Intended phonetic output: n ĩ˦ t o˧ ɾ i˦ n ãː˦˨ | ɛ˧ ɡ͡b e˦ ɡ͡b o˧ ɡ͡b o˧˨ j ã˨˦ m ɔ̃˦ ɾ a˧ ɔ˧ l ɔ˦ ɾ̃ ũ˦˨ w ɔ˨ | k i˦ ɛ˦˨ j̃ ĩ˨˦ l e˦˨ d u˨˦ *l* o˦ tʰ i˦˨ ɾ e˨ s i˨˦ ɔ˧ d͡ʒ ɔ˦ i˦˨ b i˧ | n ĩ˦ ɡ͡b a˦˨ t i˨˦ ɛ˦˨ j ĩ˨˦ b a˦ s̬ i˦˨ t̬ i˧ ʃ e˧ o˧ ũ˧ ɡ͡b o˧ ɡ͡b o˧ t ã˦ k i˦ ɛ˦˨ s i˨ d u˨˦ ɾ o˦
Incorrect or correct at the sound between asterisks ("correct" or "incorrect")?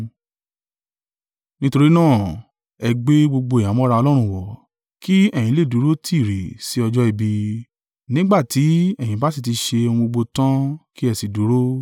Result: incorrect